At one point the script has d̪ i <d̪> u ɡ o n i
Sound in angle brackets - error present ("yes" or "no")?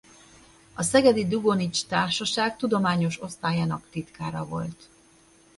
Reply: no